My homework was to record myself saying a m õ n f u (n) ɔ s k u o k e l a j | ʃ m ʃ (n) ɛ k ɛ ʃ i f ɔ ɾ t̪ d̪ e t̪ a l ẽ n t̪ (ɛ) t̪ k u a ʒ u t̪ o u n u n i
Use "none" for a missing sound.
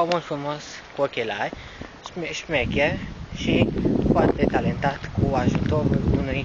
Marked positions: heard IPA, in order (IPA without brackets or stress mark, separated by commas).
m, m, a